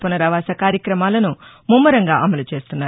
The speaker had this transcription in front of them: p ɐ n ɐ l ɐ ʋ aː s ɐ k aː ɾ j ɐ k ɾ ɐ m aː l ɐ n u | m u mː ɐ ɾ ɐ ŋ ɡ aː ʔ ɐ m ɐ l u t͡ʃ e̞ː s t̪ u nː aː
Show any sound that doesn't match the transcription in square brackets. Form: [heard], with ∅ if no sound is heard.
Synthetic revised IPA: p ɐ n ɐ [ɾ] ɐ ʋ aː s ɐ k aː ɾ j ɐ k ɾ ɐ m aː l ɐ n u | m u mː ɐ ɾ ɐ ŋ ɡ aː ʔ ɐ m ɐ l u t͡ʃ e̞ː s t̪ u nː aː